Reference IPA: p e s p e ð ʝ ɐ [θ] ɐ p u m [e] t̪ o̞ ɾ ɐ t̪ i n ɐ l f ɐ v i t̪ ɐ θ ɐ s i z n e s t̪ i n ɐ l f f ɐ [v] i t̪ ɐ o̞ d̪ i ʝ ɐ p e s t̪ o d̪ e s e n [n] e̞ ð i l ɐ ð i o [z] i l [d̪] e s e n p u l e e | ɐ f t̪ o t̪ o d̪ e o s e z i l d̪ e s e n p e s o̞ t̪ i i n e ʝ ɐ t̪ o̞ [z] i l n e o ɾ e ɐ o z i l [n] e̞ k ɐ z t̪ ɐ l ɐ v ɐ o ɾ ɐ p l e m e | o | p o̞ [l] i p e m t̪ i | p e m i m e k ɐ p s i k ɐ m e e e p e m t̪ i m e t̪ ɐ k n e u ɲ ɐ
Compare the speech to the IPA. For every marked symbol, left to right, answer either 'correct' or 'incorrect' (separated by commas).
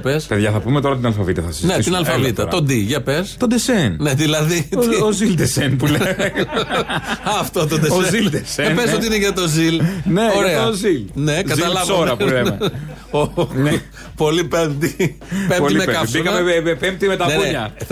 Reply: correct, correct, correct, correct, correct, correct, correct, correct, correct